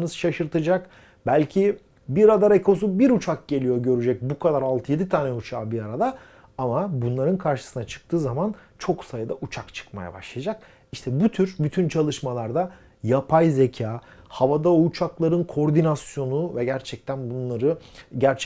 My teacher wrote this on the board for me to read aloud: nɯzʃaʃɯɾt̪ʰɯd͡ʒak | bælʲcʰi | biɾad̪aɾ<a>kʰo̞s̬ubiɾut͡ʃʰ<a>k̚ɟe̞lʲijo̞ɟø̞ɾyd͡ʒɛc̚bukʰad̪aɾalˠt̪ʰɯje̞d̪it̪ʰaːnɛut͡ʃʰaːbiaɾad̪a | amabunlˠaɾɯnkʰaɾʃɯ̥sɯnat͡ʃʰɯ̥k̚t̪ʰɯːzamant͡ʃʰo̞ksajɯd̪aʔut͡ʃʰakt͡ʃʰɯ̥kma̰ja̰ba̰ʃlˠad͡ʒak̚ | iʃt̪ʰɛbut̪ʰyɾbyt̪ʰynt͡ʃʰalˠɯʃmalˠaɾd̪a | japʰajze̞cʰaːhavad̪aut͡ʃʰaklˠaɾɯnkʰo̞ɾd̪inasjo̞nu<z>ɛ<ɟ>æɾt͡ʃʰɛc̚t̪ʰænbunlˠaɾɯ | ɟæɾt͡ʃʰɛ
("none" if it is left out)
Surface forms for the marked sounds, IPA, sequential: e, a, v, ɟ

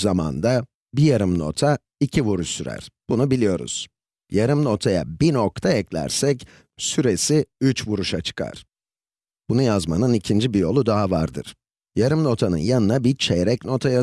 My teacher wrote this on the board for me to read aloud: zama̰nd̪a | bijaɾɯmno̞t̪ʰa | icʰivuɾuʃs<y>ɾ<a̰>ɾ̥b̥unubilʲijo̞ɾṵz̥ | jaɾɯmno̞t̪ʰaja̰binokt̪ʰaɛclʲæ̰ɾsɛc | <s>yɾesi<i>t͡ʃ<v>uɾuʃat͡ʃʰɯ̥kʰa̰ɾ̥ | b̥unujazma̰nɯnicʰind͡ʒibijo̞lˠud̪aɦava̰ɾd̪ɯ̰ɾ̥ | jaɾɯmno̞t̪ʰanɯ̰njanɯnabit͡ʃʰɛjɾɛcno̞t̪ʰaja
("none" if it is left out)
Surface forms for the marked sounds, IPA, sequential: y, æ̰, s, y, v

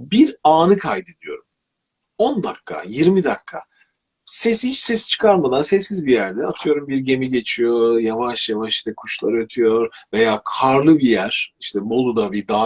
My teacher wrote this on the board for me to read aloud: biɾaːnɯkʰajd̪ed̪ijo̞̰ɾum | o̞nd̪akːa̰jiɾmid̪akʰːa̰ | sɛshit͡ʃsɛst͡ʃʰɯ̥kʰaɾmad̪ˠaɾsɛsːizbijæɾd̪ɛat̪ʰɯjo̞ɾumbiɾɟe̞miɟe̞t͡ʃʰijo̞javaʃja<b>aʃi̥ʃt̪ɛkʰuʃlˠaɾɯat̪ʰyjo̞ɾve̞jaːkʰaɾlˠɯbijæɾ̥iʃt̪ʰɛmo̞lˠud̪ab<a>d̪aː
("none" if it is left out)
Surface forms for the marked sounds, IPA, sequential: v, i

